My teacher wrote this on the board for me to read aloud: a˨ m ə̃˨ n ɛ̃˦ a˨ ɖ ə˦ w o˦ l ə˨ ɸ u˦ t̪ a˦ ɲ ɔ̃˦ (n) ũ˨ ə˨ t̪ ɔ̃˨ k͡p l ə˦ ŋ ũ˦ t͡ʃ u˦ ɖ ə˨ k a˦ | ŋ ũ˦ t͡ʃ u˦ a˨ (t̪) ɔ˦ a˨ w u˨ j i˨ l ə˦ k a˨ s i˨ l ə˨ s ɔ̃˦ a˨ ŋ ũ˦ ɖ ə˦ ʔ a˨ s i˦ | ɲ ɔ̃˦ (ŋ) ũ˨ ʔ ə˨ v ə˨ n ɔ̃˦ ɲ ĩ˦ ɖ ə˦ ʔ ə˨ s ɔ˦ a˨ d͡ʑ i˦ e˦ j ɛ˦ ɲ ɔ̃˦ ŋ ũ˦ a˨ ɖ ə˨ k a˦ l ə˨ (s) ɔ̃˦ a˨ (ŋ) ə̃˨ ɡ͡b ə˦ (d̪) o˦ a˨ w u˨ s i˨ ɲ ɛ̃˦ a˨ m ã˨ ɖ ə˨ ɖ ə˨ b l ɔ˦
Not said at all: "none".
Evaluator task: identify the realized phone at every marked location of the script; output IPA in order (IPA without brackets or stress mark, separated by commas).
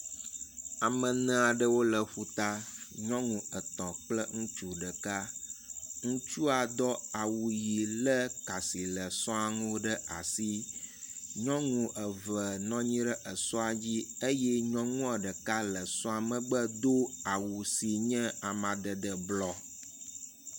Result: ŋ, d̪, ŋ, s, m, d̪